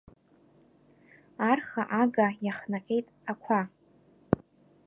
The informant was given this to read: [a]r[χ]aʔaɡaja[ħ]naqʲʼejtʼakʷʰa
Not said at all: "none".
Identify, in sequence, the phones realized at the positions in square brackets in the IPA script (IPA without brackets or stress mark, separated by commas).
a, χ, χ